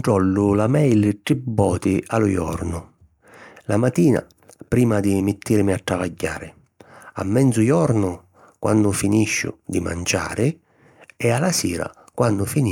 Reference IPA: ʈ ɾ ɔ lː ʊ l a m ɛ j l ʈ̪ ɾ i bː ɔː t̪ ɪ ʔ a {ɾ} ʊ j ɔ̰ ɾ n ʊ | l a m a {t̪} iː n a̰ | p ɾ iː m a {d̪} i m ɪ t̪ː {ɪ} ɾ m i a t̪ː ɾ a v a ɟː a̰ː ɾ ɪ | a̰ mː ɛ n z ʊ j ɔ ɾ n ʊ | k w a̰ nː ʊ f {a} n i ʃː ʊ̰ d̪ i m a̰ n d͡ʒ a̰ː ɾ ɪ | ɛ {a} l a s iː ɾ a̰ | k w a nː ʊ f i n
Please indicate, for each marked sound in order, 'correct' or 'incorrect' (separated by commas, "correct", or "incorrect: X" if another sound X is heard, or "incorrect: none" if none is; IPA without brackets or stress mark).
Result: incorrect: l, correct, correct, incorrect: i, incorrect: i, correct